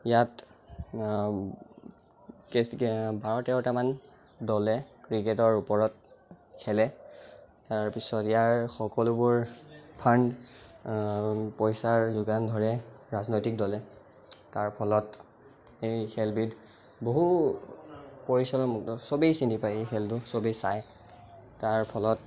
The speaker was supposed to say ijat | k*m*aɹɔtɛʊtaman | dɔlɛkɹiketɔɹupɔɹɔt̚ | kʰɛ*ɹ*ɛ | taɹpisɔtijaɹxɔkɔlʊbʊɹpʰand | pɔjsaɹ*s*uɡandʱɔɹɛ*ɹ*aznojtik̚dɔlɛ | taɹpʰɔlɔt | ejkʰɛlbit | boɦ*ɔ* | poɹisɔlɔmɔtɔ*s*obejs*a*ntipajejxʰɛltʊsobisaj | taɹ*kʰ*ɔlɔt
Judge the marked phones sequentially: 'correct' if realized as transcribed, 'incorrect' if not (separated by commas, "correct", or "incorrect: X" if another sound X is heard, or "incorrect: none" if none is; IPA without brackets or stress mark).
incorrect: b, incorrect: l, incorrect: z, correct, incorrect: u, correct, incorrect: i, incorrect: pʰ